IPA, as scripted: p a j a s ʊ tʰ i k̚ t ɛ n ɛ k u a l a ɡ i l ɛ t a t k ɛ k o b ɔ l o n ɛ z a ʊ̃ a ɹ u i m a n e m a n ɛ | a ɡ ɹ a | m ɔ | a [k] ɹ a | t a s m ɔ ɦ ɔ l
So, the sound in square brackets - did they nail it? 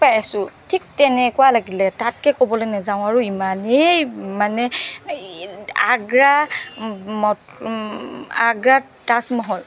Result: no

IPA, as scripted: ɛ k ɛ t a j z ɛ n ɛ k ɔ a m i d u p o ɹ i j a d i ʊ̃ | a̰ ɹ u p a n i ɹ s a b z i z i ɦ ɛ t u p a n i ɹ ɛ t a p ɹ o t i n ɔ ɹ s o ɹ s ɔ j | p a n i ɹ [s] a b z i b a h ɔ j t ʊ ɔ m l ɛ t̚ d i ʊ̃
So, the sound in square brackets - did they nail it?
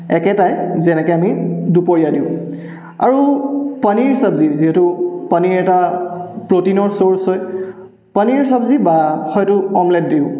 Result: yes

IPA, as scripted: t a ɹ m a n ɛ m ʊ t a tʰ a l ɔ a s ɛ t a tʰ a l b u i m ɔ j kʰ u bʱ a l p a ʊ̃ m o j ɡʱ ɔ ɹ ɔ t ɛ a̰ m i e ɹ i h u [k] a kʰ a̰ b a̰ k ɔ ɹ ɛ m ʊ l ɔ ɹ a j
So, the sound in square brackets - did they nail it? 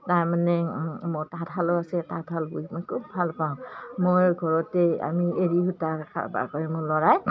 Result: no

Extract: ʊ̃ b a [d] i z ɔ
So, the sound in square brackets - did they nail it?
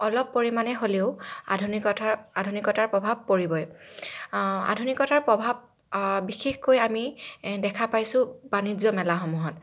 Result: no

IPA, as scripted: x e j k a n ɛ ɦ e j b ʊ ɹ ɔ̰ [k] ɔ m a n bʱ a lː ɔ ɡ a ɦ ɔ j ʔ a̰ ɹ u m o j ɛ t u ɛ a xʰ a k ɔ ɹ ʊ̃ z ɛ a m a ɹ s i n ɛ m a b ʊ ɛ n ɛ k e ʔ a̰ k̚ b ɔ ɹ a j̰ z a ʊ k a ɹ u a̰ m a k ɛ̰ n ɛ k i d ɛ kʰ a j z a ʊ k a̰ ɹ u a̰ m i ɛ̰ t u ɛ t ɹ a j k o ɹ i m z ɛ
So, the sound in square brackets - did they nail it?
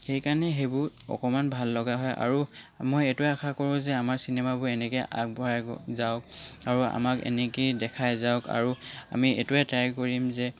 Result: yes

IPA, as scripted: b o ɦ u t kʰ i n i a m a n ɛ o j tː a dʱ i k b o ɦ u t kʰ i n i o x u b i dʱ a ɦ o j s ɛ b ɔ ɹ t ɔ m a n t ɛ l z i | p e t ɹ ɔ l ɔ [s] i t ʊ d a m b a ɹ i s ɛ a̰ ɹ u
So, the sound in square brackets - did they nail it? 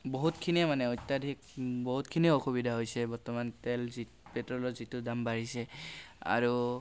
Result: no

